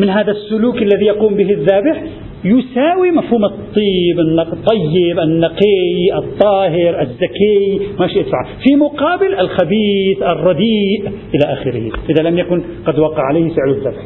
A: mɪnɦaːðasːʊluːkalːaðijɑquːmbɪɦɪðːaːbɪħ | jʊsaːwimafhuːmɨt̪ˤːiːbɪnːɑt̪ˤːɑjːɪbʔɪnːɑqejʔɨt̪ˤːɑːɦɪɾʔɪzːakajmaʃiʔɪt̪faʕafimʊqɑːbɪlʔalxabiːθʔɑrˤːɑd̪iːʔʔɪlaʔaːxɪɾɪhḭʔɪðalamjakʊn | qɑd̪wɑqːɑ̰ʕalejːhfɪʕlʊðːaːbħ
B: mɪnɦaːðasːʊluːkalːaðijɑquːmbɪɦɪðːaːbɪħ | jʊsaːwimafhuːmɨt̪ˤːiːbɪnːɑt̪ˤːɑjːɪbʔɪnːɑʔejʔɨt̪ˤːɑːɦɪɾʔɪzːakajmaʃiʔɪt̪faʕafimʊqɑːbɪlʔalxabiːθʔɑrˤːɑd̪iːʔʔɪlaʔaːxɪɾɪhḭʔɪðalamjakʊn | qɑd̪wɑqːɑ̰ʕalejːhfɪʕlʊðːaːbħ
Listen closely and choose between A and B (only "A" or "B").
A